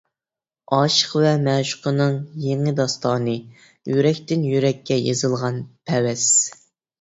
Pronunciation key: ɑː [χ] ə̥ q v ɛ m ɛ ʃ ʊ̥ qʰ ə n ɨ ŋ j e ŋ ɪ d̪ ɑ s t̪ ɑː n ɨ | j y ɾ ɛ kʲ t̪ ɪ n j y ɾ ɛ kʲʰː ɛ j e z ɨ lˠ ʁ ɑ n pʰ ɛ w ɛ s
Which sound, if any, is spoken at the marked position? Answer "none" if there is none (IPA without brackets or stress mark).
ʃ